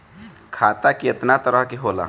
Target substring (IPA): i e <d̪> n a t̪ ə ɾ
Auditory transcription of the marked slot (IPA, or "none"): t̪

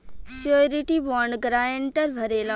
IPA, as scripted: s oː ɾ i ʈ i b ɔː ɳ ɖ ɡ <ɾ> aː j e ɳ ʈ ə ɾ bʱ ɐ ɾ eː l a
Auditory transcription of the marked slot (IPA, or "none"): ɾ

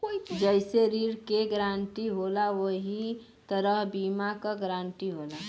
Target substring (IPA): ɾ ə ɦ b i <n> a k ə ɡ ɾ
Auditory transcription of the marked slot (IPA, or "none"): m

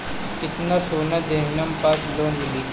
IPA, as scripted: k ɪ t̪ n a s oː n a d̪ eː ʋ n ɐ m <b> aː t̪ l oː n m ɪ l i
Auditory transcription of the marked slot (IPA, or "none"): p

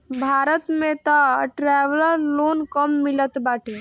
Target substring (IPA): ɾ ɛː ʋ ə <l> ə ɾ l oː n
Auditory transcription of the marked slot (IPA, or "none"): l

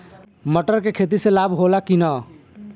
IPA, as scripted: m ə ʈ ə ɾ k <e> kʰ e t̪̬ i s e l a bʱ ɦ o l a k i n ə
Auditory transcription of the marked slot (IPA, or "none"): e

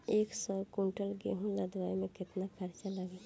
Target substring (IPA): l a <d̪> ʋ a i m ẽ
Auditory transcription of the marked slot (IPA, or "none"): d̪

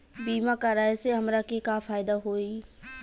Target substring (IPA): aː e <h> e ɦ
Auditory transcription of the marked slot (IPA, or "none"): s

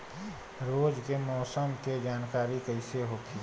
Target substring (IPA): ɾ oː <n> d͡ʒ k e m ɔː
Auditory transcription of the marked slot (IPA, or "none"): none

